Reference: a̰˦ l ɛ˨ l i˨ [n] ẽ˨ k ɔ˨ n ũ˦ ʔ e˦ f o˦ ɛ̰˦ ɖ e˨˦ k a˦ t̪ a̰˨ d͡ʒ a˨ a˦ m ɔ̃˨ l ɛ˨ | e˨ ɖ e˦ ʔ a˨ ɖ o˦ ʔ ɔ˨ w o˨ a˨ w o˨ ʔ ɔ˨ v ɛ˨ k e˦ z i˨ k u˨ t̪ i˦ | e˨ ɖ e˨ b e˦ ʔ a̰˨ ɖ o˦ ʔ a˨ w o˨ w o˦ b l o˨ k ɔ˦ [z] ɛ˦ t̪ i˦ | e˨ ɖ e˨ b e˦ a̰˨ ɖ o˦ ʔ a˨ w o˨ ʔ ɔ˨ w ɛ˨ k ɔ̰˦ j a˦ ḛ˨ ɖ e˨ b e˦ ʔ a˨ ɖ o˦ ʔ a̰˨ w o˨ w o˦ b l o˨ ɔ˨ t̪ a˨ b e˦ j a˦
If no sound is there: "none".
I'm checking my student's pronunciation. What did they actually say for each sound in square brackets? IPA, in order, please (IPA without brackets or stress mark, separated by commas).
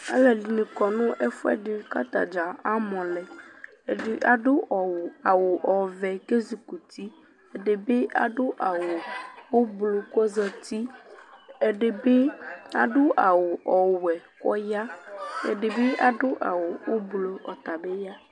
n, z